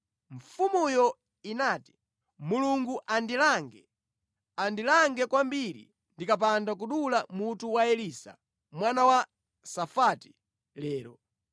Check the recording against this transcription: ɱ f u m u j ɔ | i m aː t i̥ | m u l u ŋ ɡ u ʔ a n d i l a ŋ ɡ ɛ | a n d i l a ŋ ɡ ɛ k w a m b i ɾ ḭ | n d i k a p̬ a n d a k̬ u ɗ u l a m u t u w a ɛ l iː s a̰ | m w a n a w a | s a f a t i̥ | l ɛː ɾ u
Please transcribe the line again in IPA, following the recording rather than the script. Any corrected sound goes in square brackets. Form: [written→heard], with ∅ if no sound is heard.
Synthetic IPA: ɱ f u m u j ɔ | i [m→n] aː t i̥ | m u l u ŋ ɡ u ʔ a n d i l a ŋ ɡ ɛ | a n d i l a ŋ ɡ ɛ k w a m b i ɾ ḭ | n d i k a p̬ a n d a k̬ u ɗ u l a m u t u w a ɛ l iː s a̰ | m w a n a w a | s a f a t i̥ | l ɛː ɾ [u→ɔ]